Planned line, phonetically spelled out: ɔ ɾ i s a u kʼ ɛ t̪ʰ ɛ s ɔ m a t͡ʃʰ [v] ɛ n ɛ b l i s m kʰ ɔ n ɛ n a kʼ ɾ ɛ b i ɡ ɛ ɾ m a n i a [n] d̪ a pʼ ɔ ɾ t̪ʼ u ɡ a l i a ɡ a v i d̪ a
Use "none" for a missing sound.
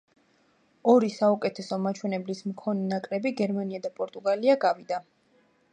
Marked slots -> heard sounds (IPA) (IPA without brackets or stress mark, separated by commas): w, none